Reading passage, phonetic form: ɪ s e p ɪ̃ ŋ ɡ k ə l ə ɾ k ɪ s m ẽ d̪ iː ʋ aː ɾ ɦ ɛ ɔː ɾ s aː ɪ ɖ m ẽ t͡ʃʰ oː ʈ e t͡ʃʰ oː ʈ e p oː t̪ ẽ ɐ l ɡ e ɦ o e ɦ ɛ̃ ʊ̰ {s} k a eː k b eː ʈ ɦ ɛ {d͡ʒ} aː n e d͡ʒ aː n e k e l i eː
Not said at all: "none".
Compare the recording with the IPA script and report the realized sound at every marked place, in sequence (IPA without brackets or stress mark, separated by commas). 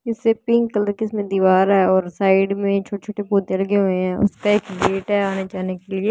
s, none